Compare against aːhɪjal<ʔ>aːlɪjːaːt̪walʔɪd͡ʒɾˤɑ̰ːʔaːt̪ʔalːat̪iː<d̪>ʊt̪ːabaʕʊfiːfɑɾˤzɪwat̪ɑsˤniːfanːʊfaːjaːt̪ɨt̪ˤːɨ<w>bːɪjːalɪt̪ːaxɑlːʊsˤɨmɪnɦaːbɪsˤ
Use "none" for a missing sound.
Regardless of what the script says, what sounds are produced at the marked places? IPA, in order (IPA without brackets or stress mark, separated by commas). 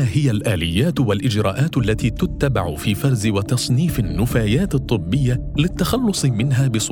ʔ, t̪, none